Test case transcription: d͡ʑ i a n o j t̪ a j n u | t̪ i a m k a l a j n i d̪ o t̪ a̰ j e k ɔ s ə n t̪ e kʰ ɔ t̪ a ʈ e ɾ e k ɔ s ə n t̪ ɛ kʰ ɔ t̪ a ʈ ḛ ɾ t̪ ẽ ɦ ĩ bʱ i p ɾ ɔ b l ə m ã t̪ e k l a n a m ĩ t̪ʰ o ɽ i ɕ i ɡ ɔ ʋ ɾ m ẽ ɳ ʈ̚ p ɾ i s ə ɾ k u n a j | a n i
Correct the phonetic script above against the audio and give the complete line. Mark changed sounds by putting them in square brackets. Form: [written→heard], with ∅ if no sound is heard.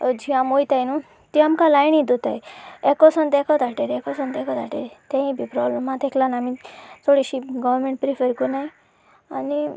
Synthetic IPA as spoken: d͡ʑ i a [n→m] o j t̪ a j n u | t̪ i a m k a l a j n i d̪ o t̪ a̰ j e k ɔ s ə n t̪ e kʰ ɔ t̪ a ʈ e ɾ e k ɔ s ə n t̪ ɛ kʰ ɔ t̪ a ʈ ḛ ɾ t̪ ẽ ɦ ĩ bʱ i p ɾ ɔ b l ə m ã t̪ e k l a n a m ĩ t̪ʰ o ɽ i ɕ i ɡ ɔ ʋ ɾ m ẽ ɳ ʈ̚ p ɾ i [s→f] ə ɾ k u n a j | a n i